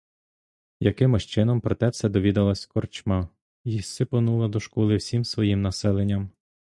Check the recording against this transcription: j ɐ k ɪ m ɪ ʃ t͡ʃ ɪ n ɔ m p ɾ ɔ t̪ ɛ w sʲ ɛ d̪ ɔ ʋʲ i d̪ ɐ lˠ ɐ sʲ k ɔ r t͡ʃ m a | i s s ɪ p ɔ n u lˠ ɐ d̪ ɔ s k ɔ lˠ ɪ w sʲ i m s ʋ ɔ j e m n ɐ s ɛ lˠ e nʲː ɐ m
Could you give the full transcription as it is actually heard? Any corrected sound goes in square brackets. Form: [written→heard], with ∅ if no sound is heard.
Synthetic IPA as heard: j ɐ k ɪ m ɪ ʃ t͡ʃ ɪ n ɔ m p ɾ ɔ t̪ ɛ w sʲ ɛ d̪ ɔ ʋʲ i d̪ ɐ lˠ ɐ sʲ k ɔ r t͡ʃ m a | i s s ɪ p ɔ n u lˠ ɐ d̪ ɔ [s→ʃ] k ɔ lˠ ɪ w sʲ i m s ʋ ɔ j [e→i] m n ɐ s ɛ lˠ e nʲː ɐ m